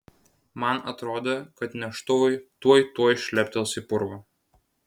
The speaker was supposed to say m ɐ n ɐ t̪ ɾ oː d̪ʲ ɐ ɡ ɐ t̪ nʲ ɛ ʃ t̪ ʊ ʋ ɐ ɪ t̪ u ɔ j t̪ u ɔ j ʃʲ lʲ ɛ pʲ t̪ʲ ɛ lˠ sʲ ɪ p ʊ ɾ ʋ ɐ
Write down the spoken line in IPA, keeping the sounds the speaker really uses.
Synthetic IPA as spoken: m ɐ n ɐ t̪ ɾ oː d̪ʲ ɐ k ɐ t̪ nʲ ɛ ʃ t̪ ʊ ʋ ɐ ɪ t̪ u ɔ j t̪ u ɔ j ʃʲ lʲ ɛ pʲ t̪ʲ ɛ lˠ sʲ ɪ p ʊ ɾ ʋ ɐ